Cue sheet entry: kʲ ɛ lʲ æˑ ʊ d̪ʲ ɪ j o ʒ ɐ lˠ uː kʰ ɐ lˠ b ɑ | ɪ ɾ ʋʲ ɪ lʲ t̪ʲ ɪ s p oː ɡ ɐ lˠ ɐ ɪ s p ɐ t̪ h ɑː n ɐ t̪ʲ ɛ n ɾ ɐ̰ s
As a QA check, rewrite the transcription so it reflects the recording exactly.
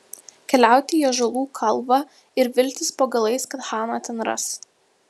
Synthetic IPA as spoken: kʲ ɛ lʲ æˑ ʊ t̪ʲ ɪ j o ʒ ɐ lˠ uː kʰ ɐ lˠ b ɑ | ɪ ɾ ʋʲ ɪ lʲ t̪ʲ ɪ s p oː ɡ ɐ lˠ ɐ ɪ s k ɐ t̪ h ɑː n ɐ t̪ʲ ɛ n ɾ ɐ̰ s